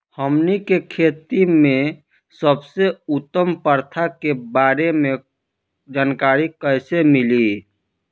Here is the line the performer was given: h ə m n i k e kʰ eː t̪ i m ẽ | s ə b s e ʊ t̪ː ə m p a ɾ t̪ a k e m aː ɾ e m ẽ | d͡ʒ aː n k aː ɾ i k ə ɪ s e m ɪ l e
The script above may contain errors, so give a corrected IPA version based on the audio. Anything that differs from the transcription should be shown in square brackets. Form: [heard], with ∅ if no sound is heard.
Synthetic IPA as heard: h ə m n i k e kʰ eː t̪ i m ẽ | s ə b s e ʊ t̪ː ə m p [ə] ɾ [t̪ʰ] a k e [b] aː ɾ e m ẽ | d͡ʒ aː n k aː ɾ i k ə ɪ s e m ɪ l [i]